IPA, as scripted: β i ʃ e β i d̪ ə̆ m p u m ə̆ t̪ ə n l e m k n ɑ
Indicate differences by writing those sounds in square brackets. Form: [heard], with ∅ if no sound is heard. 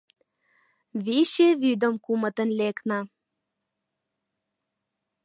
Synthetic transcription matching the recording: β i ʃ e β [y] d̪ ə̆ m [k] u m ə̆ t̪ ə n l e [∅] k n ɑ